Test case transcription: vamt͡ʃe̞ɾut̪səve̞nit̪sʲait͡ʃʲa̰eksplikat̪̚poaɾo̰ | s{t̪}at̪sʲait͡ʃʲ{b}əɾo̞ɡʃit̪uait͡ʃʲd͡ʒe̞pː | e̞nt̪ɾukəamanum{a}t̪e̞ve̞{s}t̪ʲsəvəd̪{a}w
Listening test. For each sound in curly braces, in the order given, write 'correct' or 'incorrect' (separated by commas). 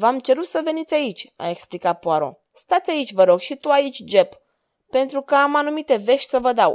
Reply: correct, incorrect, incorrect, incorrect, correct